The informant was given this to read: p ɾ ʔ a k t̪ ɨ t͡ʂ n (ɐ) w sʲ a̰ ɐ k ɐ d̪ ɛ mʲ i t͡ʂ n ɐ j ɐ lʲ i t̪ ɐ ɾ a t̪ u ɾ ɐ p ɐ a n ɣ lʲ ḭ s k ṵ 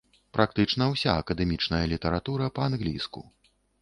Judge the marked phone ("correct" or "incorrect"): correct